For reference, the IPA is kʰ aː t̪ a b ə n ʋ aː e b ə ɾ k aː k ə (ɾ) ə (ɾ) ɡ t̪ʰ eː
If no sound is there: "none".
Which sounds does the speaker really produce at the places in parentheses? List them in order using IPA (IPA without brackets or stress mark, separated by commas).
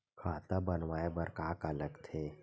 l, none